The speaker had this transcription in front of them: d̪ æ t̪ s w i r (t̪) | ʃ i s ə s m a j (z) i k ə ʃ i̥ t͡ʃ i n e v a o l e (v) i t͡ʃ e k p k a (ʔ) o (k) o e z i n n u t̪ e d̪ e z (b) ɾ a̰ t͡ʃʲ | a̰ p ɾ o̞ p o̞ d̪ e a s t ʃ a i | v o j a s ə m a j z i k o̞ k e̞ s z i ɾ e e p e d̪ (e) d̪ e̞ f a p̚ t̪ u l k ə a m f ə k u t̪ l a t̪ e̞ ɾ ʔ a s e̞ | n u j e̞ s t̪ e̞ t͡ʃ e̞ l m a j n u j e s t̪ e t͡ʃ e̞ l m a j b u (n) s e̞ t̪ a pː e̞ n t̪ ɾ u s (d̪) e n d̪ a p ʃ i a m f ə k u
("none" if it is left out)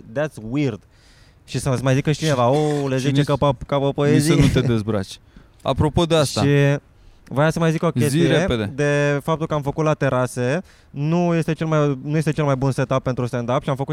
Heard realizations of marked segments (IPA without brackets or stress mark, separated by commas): d̪, z, z, p, p, b, e, n, t̪